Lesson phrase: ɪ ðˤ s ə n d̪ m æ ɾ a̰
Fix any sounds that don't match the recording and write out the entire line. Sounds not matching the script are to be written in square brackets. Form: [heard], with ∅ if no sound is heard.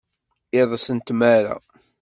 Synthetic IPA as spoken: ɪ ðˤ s ə n [t̪] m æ ɾ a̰